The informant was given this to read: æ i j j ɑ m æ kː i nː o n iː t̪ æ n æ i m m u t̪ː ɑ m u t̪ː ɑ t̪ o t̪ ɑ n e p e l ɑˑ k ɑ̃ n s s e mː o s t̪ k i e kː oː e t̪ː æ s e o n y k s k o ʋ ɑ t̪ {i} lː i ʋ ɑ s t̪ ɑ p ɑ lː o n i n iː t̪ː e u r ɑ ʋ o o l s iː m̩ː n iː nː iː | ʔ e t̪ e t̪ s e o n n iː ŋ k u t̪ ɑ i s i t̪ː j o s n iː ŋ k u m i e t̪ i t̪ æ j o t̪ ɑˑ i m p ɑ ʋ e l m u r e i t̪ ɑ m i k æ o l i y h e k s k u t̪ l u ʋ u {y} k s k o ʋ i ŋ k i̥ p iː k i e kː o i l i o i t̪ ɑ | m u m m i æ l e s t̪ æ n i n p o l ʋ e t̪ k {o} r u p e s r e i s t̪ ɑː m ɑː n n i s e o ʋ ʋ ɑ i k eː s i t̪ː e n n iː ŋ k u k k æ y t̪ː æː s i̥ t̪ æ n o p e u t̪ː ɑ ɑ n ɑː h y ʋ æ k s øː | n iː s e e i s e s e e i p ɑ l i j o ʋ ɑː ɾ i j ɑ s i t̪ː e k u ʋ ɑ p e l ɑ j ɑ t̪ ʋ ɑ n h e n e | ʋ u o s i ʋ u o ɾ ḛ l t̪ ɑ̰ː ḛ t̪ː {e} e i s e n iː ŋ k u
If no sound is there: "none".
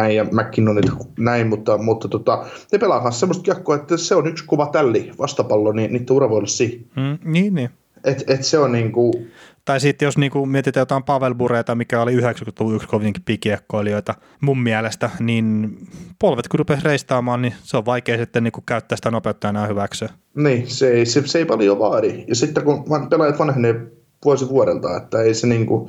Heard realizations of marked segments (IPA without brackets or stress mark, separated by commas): æ, y, u, æ